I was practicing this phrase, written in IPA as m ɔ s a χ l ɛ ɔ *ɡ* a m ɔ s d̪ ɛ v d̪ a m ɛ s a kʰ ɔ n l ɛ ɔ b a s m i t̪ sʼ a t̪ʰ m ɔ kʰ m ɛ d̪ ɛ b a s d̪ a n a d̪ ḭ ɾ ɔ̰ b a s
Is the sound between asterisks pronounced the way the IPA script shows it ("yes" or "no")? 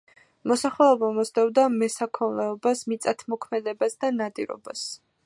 no